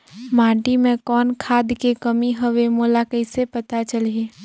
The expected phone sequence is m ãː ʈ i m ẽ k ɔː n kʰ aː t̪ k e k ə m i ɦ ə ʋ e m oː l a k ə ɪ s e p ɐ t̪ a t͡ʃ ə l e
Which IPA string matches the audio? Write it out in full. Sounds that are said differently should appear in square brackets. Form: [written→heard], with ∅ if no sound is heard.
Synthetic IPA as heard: m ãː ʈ i m ẽ k ɔː n kʰ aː [t̪→d̪] k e k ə m i ɦ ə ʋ e m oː l a k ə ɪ s e p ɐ t̪ a t͡ʃ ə l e